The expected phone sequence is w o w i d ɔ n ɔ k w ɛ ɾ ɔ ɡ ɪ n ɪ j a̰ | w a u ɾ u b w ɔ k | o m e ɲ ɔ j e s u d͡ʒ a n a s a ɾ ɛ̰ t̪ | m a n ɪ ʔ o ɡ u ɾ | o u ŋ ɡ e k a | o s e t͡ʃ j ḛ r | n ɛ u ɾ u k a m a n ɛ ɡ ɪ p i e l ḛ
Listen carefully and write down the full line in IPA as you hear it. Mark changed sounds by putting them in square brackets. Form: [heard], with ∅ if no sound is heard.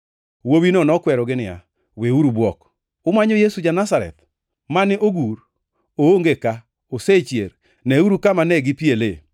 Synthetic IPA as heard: w o w i [n] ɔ n ɔ k w ɛ ɾ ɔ ɡ ɪ n ɪ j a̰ | w [e] u ɾ u b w ɔ k | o m [a] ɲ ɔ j e s u d͡ʒ a n a s a ɾ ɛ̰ t̪ | m a n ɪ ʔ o ɡ u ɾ | o [o] ŋ ɡ e k a | o s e t͡ʃ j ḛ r | n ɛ u ɾ u k a m a n ɛ ɡ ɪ p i e l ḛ